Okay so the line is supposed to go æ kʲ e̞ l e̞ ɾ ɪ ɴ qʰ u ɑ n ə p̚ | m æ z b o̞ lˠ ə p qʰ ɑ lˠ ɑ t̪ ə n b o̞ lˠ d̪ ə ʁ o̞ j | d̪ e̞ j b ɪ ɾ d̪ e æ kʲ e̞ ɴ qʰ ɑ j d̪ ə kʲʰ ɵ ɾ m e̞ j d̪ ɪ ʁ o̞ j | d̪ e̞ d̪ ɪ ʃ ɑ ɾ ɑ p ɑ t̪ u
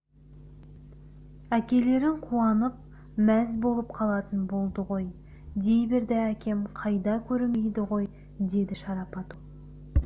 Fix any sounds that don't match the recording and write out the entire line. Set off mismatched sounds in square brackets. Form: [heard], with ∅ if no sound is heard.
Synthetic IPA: æ kʲ e̞ l e̞ ɾ ɪ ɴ qʰ u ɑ n ə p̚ | m æ z b o̞ lˠ ə p qʰ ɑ lˠ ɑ t̪ ə n b o̞ lˠ d̪ ə ʁ o̞ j | d̪ e̞ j b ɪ ɾ d̪ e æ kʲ e̞ [m] qʰ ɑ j d̪ [ɑ] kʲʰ ɵ ɾ m e̞ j d̪ ɪ ʁ o̞ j | d̪ e̞ d̪ ɪ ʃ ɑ ɾ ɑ p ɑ t̪ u